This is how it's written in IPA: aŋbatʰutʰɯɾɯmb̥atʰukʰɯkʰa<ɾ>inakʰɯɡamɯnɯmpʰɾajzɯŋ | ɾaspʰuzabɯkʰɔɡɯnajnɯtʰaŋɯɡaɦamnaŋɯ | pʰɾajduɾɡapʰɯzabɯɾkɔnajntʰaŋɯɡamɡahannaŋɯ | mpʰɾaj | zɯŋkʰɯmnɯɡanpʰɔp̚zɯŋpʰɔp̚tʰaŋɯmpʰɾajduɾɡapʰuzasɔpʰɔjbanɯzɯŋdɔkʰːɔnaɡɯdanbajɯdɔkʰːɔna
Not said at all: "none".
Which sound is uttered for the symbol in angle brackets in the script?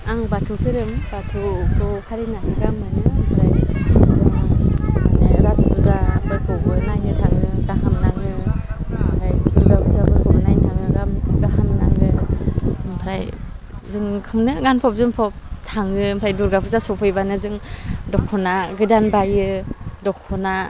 ɾ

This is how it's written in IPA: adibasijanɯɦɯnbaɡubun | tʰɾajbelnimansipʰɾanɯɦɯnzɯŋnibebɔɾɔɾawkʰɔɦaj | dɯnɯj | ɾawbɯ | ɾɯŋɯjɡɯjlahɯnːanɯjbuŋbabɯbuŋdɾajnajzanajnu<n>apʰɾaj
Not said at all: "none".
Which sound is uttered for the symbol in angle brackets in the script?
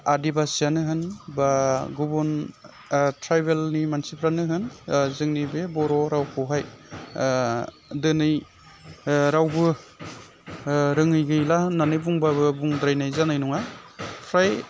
ŋ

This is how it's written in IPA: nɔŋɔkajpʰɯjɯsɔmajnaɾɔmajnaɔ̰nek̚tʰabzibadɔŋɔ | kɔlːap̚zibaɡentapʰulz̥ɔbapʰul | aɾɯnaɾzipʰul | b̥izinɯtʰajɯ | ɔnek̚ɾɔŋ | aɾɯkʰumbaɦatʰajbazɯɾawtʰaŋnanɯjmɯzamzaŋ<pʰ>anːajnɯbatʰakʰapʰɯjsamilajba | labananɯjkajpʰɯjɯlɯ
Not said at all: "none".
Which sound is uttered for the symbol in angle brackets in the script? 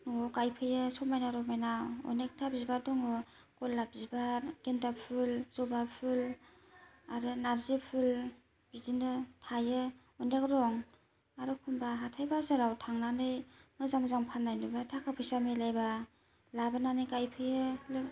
pʰ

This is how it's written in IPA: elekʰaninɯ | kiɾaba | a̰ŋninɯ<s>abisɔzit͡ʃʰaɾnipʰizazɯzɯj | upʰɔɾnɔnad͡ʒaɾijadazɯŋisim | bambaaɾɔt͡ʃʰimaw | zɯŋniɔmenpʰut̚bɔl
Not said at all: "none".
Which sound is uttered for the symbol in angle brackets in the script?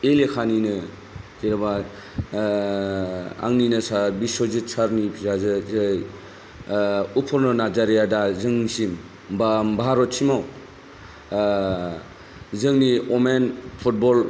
s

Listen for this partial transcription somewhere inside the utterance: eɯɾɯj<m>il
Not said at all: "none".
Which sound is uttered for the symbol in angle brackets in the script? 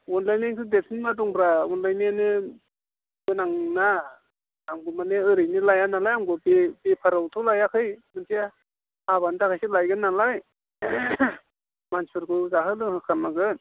n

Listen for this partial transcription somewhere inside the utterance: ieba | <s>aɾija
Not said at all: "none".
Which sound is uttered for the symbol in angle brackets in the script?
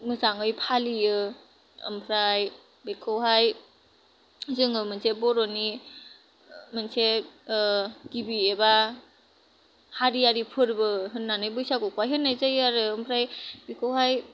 h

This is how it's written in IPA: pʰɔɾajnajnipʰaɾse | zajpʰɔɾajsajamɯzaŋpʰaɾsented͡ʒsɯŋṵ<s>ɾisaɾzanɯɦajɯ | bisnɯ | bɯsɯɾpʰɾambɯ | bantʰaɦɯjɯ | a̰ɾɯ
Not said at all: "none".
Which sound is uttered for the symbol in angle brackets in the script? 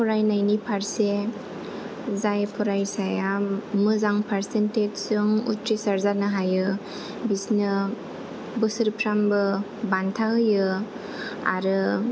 t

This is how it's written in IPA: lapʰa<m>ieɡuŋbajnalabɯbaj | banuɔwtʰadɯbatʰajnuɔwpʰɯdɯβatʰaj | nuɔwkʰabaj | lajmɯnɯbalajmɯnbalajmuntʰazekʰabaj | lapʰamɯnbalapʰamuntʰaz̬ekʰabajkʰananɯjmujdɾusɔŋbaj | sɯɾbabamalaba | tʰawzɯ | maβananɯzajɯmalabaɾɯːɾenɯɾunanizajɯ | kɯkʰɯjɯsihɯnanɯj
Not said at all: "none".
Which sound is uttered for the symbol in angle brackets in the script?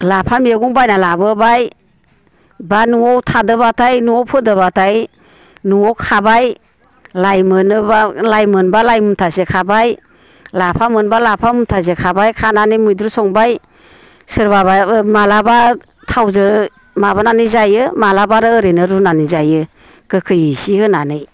m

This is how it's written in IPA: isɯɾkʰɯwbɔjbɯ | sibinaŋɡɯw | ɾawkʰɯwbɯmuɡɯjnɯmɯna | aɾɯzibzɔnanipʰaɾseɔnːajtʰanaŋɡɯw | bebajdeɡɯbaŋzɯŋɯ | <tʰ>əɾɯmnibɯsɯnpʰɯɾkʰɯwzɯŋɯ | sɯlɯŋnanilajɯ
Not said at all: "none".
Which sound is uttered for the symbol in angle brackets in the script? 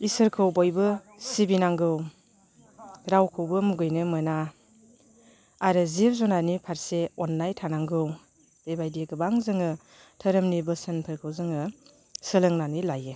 tʰ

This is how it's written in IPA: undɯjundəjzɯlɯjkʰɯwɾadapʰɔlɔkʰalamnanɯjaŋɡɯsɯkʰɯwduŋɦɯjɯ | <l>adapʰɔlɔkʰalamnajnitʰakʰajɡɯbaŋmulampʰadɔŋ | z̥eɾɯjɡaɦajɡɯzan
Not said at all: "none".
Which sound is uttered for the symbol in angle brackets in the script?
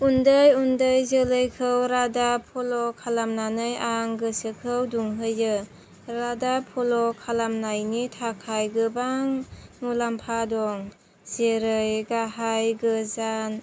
ɾ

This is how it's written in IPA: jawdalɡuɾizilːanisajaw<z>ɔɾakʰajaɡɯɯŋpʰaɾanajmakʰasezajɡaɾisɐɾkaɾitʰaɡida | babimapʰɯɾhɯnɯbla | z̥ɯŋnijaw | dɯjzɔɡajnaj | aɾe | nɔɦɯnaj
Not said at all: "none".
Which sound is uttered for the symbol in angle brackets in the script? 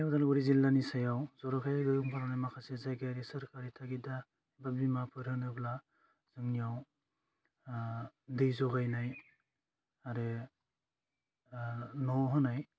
z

